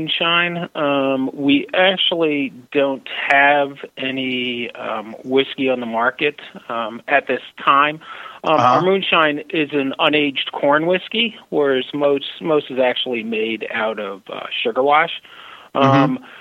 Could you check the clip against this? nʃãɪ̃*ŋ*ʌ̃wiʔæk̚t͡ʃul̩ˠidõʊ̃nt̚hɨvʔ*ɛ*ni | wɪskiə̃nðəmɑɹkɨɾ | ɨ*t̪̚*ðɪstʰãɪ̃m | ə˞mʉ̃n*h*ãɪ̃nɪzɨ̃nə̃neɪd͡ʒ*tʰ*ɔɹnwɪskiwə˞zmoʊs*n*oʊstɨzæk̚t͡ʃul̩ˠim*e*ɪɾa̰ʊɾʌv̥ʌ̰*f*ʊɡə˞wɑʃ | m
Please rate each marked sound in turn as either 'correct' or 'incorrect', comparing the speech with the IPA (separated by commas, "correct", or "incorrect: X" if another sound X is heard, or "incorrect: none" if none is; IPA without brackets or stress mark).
incorrect: n, correct, correct, incorrect: ʃ, incorrect: kʰ, incorrect: m, correct, incorrect: ʃ